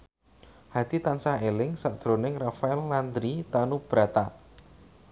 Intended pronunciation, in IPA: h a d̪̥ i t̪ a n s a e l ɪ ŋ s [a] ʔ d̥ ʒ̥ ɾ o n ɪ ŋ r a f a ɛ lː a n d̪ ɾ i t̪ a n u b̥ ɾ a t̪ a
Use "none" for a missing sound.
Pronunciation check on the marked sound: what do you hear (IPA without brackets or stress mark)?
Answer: a